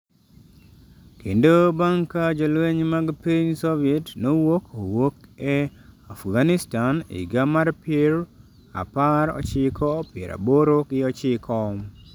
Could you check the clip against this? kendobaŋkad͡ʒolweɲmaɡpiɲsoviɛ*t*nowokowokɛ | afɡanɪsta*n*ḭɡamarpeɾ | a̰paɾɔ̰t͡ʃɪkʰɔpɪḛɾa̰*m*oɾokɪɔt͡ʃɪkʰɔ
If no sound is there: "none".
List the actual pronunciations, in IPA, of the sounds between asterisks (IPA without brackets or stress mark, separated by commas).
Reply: t, n, b